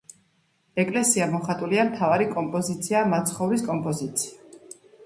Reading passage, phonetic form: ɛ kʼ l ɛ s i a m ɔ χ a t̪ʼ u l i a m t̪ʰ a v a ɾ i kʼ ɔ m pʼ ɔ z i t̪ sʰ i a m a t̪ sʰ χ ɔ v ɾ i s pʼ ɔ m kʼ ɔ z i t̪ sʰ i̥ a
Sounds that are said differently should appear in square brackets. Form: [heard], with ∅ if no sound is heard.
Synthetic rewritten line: ɛ kʼ l ɛ s i a m ɔ χ a t̪ʼ u l i a m t̪ʰ a v a ɾ i kʼ ɔ m pʼ ɔ z i t̪ sʰ i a m a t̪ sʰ χ ɔ v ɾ i s [kʼ] ɔ m [pʼ] ɔ z i t̪ sʰ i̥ a